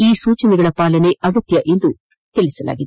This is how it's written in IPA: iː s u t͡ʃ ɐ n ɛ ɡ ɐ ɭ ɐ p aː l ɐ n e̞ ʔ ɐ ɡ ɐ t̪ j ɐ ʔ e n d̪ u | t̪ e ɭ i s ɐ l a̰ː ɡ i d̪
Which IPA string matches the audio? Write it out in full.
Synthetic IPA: iː s uː t͡ʃ ɐ n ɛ ɡ ɐ ɭ ɐ p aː l ɐ n e̞ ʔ ɐ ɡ ɐ t̪ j ɐ ʔ e n d̪ u | t̪ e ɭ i s ɐ l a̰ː ɡ i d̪